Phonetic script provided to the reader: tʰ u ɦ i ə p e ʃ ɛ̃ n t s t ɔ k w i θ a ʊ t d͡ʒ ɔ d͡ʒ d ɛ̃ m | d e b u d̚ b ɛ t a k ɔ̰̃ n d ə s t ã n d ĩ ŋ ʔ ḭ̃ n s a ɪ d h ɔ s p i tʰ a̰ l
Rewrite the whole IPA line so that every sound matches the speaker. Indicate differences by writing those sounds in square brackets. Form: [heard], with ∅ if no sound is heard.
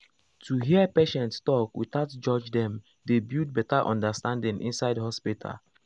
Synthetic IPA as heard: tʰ u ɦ i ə p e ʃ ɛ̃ n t s t ɔ k w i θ a ʊ t d͡ʒ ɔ d͡ʒ d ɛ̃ m | d e b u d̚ b ɛ t a [ʔ] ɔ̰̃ n d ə s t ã n d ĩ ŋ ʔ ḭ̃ n s a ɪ d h ɔ s p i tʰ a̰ l